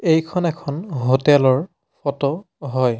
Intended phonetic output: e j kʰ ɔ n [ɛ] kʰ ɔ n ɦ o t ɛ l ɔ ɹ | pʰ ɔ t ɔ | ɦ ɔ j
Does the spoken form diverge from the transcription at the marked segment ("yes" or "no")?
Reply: no